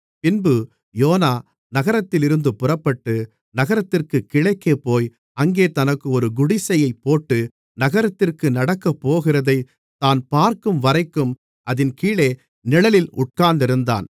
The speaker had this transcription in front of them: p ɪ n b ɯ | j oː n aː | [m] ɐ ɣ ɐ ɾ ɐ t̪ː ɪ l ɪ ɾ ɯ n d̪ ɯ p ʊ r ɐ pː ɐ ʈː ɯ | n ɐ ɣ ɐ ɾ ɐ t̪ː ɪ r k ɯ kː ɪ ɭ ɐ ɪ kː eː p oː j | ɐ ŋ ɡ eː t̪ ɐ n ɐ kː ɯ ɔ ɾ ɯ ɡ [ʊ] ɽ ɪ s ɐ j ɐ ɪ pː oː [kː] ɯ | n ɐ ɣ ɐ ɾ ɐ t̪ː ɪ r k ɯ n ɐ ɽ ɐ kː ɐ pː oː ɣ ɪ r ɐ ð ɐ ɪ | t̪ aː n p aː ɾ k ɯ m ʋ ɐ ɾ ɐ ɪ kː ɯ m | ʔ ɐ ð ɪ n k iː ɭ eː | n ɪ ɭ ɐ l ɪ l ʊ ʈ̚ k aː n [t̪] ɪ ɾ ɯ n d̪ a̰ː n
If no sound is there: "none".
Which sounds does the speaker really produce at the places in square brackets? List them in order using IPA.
n, ʊ, ʈː, d̪

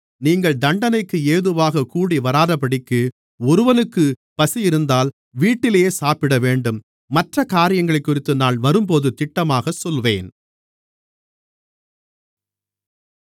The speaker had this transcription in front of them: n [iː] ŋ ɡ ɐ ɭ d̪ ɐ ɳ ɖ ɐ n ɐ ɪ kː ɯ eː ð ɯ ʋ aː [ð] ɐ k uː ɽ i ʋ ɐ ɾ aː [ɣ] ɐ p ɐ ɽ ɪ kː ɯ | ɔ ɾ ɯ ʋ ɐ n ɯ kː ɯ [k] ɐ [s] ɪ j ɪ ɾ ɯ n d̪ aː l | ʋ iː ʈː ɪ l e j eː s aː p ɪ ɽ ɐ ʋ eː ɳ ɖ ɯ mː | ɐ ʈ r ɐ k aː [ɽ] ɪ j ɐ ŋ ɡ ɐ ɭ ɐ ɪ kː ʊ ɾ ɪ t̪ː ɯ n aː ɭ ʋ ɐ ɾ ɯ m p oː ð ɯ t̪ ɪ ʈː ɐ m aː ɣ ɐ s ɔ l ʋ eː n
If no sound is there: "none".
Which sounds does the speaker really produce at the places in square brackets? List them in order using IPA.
iː, ɣ, ð, p, s, ɾ

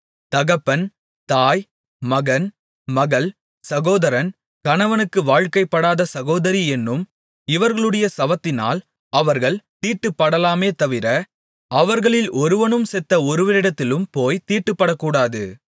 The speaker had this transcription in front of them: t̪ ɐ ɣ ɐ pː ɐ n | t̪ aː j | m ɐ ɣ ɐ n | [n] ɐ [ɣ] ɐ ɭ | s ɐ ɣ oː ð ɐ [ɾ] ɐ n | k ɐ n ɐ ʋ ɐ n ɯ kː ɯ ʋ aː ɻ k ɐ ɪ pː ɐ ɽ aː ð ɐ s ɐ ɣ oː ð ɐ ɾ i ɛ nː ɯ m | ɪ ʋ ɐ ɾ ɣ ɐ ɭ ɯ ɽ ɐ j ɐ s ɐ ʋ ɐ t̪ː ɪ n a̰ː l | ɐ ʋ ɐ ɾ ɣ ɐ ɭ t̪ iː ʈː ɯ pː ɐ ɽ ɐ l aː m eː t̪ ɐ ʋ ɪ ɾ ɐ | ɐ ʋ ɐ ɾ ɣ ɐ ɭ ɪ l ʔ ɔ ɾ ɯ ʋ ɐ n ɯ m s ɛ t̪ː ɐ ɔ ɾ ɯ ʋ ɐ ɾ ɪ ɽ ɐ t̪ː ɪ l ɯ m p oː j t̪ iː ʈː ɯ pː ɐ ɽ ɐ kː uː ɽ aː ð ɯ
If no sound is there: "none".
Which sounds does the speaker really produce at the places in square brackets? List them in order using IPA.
m, ɣ, ɾ

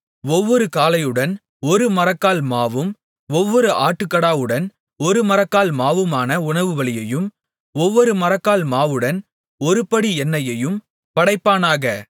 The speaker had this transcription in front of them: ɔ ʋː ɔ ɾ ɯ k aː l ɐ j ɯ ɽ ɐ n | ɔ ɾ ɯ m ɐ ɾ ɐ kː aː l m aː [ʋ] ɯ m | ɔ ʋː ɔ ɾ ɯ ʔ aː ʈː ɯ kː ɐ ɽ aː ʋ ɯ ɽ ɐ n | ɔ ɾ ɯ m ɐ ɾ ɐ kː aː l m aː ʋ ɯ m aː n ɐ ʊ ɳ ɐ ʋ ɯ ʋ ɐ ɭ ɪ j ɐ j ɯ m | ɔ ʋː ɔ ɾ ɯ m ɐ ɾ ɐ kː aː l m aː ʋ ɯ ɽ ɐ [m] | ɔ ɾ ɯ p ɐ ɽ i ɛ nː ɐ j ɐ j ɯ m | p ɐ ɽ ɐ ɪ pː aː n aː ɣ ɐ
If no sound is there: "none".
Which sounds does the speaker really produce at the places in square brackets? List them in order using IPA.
ʋ, n

